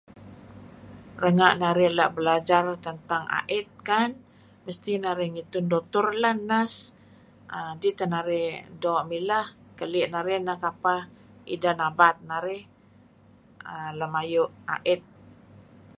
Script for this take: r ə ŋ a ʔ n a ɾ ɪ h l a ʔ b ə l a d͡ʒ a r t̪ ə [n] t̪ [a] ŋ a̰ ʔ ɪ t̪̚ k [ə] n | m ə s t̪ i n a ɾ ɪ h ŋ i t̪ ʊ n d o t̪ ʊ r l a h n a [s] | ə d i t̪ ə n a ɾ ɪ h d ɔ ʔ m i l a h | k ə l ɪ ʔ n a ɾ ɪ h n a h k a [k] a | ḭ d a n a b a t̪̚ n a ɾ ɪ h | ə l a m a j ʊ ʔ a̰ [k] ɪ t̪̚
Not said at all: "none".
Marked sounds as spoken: n, a, a, s, p, ʔ

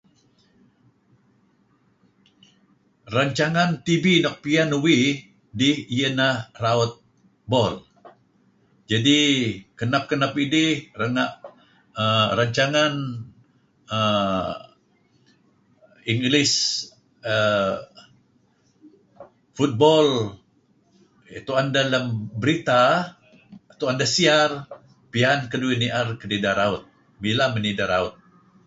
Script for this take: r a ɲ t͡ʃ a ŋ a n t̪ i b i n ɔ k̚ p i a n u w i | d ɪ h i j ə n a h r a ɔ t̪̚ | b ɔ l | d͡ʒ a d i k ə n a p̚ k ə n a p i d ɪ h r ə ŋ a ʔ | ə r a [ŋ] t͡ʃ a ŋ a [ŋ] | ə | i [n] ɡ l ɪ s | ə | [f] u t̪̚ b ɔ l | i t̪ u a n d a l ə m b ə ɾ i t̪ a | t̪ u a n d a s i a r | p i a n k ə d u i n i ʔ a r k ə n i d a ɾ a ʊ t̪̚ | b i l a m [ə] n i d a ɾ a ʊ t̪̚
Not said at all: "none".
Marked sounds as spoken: ɲ, n, ŋ, f, ə

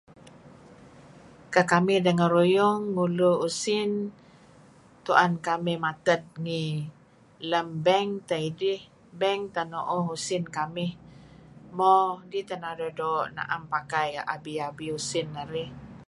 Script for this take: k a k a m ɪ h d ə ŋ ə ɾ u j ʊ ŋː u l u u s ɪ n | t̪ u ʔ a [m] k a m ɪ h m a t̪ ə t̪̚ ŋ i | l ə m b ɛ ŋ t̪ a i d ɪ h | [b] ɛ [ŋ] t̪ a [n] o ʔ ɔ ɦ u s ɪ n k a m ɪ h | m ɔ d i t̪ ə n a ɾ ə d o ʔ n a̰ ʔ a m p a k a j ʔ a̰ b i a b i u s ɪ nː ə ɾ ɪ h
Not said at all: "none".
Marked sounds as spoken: n, b, ŋ, n

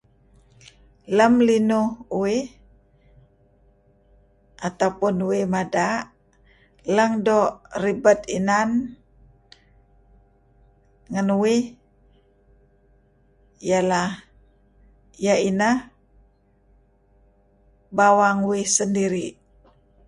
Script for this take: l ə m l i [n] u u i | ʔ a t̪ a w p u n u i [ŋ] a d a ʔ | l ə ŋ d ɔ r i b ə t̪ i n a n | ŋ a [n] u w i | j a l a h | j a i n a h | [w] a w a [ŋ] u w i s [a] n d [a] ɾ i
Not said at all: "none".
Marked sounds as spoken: n, m, n, b, ŋ, ə, i

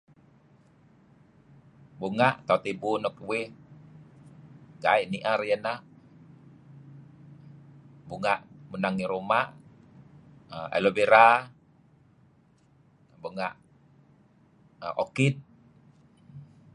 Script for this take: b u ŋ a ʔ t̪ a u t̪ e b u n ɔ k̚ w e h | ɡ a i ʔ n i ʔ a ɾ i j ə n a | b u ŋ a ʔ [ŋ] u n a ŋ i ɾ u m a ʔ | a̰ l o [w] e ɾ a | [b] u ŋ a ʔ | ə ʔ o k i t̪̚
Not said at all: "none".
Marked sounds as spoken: m, b, b

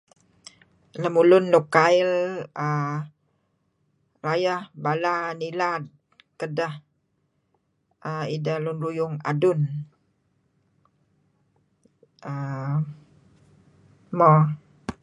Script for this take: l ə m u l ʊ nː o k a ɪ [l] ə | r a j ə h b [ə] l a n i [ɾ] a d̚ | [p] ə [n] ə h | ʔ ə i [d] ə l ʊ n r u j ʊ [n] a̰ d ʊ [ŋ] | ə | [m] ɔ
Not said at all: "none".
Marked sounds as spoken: l, a, l, k, d, d, ŋ, n, m

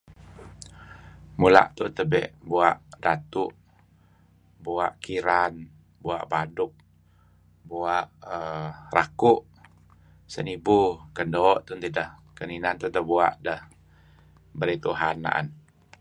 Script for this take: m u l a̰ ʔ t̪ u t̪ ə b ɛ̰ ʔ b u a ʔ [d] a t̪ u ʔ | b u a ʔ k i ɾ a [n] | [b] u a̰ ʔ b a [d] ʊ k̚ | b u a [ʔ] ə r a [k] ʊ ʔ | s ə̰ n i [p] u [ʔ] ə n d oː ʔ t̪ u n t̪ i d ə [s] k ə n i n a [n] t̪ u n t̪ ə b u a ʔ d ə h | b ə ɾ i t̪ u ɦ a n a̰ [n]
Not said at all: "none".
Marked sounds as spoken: d, n, b, d, ʔ, k, b, k, h, n, n

